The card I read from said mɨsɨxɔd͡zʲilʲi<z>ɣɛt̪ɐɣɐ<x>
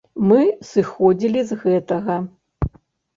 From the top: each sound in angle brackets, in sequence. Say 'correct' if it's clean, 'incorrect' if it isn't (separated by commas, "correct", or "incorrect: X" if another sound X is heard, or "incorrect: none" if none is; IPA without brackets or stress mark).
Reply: correct, incorrect: none